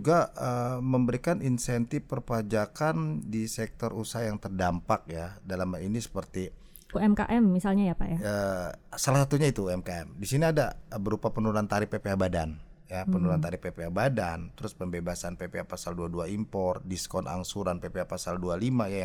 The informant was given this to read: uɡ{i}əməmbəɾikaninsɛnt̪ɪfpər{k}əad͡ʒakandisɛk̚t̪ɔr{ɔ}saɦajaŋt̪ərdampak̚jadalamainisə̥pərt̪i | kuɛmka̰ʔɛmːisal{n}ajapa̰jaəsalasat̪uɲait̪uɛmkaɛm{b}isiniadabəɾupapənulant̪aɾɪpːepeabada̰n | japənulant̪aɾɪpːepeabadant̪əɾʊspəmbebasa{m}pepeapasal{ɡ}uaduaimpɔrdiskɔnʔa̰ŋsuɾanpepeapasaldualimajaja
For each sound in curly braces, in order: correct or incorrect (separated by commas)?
incorrect, incorrect, incorrect, incorrect, incorrect, incorrect, incorrect